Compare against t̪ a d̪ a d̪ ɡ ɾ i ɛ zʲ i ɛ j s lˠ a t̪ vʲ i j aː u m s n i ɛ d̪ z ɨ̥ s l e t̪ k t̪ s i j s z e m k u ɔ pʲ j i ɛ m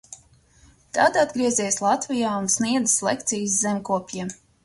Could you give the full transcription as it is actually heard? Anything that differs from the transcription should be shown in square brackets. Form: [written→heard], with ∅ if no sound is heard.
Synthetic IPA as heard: t̪ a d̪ a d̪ ɡ ɾ i ɛ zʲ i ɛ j s lˠ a t̪ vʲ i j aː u [m→n] s n i ɛ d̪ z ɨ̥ s l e [t̪→∅] k t̪ s i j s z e m k u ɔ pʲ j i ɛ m